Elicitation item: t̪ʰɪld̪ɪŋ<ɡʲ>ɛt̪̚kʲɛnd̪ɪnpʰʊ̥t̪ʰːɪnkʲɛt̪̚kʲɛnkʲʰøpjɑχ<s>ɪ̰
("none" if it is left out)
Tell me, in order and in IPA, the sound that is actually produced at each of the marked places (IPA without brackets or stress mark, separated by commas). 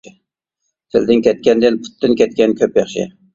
kʲ, ʃ